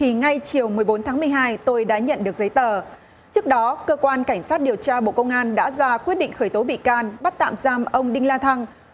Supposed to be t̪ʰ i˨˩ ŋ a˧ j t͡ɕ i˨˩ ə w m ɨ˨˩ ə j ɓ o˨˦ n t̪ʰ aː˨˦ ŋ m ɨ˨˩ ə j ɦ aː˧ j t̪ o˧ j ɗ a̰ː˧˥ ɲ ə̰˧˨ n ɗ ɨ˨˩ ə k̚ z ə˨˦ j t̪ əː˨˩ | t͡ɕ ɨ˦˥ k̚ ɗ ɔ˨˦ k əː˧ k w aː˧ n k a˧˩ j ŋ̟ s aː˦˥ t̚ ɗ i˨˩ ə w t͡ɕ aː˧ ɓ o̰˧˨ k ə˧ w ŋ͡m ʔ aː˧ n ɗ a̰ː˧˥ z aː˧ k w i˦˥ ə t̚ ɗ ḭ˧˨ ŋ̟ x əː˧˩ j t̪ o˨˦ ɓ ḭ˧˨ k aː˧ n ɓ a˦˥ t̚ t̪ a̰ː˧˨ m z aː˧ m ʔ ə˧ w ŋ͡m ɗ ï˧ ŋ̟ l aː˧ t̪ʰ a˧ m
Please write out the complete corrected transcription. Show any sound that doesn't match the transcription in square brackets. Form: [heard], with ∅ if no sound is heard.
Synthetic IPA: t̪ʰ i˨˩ ŋ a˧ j t͡ɕ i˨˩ ə w m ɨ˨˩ ə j ɓ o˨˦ n t̪ʰ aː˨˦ ŋ m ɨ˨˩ ə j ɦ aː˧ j t̪ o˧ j ɗ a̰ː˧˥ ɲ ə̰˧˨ n ɗ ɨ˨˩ ə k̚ z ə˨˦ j t̪ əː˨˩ | t͡ɕ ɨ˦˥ k̚ ɗ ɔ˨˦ k əː˧ k w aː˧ n k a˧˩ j ŋ̟ s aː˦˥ t̚ ɗ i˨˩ ə w t͡ɕ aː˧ ɓ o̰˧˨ k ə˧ w ŋ͡m ʔ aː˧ n ɗ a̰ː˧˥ z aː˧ k w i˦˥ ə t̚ ɗ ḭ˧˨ ŋ̟ x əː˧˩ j t̪ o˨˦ ɓ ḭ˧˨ k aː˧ n ɓ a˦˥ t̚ t̪ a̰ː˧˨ m z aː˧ m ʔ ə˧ w ŋ͡m ɗ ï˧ ŋ̟ l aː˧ t̪ʰ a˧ [ŋ]